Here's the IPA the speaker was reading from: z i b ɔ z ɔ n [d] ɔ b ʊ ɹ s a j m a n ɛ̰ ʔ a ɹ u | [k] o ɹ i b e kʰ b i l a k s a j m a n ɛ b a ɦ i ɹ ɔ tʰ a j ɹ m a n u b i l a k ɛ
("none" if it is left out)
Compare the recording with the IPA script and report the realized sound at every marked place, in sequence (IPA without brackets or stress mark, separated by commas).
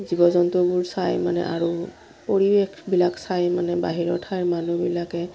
t, p